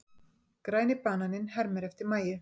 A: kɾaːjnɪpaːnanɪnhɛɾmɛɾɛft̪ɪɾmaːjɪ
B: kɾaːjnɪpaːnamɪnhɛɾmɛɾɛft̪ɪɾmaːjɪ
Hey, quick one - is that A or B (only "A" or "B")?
A